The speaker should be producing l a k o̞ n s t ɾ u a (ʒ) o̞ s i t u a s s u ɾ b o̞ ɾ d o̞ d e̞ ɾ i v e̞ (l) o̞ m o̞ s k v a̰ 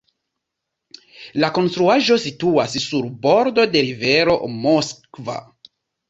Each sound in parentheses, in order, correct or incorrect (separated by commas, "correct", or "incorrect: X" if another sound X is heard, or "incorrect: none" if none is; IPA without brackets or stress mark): correct, incorrect: ɾ